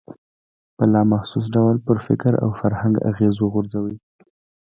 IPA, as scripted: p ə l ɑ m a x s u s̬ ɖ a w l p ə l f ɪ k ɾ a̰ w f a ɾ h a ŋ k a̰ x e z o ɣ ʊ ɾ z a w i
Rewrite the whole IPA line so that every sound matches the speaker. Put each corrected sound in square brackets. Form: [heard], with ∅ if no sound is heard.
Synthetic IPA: p ə l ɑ m a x s u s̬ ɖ a w l p ə [ɾ] f ɪ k ɾ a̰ w f a ɾ h a ŋ [ɡ] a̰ [ɣ] e z o ɣ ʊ ɾ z a w i